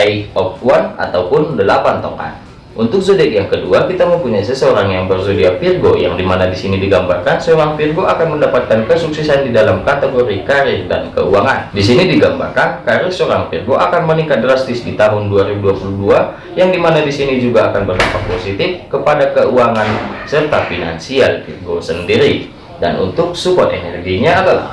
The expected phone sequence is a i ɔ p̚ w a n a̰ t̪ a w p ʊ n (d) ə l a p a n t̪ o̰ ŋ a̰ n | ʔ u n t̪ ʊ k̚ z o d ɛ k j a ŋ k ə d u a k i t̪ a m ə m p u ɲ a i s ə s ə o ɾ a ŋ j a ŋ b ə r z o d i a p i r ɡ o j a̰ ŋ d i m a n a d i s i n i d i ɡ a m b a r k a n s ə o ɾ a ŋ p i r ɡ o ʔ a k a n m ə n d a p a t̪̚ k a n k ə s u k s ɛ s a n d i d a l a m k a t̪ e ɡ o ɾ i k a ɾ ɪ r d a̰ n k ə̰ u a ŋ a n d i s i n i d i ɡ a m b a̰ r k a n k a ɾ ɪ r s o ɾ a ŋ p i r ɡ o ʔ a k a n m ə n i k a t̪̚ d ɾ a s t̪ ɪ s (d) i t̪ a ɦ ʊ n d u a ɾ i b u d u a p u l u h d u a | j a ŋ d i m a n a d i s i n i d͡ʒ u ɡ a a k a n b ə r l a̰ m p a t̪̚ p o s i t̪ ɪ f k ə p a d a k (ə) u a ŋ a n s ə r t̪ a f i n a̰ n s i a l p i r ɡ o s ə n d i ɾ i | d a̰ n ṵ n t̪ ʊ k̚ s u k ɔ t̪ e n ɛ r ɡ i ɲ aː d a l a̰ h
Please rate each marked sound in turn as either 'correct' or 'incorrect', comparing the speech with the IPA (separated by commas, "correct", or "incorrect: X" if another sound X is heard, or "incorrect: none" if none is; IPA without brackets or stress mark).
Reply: correct, correct, correct